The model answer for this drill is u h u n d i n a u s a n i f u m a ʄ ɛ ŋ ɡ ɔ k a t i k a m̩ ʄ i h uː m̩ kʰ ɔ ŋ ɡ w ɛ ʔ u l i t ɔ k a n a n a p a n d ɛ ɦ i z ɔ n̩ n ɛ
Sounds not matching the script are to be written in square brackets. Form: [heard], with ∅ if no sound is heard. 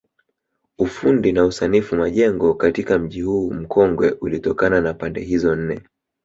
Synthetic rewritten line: u [f] u n d i n a u s a n i f u m a ʄ ɛ ŋ ɡ ɔ k a t i k a m̩ ʄ i h uː m̩ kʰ ɔ ŋ ɡ w ɛ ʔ u l i t ɔ k a n a n a p a n d ɛ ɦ i z ɔ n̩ n ɛ